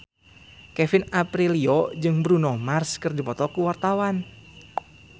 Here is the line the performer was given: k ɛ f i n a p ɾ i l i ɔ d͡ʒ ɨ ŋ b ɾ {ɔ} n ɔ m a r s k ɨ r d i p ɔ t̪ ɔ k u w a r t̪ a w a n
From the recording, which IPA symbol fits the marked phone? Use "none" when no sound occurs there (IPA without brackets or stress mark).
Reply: u